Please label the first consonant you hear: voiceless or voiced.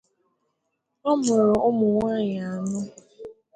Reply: voiced